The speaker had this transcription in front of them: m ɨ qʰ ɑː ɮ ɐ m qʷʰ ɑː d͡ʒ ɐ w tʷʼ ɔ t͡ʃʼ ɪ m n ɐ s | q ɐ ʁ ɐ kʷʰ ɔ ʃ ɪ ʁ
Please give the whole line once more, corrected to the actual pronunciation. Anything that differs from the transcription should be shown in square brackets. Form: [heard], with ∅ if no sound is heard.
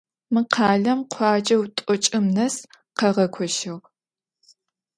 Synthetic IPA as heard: m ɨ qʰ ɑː ɮ ɐ m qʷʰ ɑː d͡ʒ ɐ w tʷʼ ɔ t͡ʃʼ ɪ m n ɐ s | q ɐ ʁ ɐ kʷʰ ɔ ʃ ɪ ʁ